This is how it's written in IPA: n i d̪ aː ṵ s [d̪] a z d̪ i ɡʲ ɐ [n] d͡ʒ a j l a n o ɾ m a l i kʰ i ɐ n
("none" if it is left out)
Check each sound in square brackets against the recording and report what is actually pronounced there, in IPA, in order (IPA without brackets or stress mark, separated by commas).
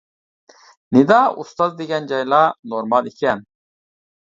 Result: t̪, n